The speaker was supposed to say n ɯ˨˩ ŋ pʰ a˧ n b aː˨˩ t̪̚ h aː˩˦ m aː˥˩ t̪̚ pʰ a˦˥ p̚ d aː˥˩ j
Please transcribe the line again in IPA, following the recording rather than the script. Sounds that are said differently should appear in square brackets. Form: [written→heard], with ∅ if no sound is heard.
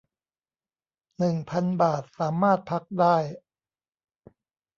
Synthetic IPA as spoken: n ɯ˨˩ ŋ pʰ a˧ n b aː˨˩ t̪̚ [h→s] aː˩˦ m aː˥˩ t̪̚ pʰ a˦˥ [p̚→k̚] d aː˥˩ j

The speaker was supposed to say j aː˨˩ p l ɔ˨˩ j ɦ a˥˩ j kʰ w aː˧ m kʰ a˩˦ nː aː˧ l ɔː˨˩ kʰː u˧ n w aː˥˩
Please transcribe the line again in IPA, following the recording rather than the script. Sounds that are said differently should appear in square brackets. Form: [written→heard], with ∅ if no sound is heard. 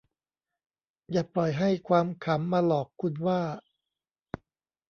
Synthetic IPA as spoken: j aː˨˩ p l ɔ˨˩ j ɦ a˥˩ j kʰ w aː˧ m kʰ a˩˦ [nː→mː] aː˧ l ɔː˨˩ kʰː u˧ n w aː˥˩

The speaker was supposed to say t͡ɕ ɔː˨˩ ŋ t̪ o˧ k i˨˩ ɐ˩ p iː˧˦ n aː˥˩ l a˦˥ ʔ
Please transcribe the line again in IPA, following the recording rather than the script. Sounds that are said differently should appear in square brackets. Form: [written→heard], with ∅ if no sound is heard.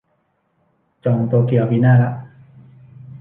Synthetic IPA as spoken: t͡ɕ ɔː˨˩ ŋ t̪ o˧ k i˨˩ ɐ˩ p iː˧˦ n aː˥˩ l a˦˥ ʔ

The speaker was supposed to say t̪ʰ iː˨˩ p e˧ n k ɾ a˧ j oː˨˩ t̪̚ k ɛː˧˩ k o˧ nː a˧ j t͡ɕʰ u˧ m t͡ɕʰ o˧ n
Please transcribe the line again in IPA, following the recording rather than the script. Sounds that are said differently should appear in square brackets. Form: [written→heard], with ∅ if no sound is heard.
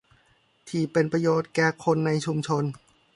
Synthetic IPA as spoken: t̪ʰ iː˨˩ p e˧ n [k→p] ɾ a˧ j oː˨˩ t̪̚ k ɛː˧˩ [k→kʰ] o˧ nː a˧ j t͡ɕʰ u˧ m t͡ɕʰ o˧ n

